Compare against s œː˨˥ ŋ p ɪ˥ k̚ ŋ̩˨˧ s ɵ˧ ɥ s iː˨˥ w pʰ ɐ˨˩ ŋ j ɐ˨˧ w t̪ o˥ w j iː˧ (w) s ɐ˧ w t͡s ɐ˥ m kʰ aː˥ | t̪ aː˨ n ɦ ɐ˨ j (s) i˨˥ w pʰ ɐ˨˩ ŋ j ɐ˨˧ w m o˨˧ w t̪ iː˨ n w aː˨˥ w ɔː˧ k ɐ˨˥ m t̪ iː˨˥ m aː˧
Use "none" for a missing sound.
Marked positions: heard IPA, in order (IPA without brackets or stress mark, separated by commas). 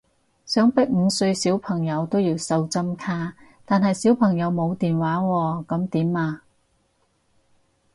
w, s